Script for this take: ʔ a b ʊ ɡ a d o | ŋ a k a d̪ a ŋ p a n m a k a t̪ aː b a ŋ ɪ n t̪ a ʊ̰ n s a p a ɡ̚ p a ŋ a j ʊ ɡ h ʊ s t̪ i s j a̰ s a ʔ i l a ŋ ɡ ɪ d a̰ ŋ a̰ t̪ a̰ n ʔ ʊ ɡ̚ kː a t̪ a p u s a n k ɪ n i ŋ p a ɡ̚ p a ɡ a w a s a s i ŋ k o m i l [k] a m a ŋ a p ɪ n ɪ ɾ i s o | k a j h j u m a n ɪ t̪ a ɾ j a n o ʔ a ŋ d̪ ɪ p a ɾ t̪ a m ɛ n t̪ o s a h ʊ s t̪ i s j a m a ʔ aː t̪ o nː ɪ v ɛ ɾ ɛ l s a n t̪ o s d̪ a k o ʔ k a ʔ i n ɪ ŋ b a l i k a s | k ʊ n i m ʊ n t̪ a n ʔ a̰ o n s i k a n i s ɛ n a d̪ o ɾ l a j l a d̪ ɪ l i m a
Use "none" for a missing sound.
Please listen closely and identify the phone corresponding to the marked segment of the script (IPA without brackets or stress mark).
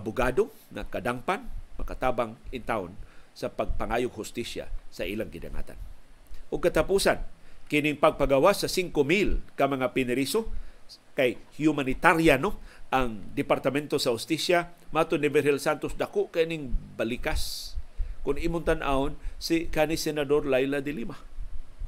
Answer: k